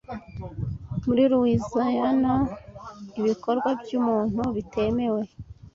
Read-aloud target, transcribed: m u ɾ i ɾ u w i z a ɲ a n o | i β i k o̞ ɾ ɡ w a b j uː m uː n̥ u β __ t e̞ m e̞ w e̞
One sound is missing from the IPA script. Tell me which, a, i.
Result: i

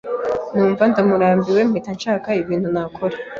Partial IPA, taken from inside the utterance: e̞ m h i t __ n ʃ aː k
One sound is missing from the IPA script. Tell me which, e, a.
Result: a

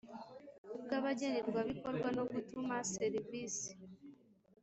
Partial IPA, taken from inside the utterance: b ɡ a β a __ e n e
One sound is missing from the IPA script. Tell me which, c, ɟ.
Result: ɟ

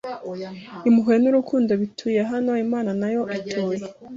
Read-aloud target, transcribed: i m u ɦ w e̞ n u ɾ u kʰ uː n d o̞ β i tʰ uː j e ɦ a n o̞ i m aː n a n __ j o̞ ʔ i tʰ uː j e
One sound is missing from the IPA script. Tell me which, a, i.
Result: a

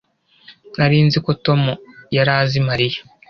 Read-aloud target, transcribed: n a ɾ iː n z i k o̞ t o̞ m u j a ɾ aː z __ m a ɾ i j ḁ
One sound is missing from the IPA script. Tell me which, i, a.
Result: i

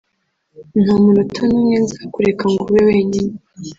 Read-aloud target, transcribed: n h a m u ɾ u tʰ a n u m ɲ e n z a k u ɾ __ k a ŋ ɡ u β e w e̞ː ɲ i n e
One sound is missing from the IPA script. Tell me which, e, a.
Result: e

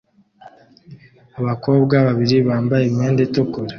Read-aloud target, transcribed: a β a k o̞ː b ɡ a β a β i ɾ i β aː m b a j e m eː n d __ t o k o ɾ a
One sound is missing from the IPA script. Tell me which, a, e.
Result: e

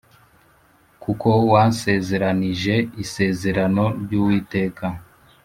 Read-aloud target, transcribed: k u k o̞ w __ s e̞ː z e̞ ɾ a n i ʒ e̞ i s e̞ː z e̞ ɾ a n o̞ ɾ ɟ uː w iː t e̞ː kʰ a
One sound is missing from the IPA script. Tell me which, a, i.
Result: a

